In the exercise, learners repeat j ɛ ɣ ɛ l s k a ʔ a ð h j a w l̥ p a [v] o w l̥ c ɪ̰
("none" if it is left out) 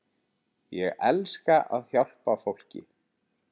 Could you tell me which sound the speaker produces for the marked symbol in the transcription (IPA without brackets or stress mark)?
f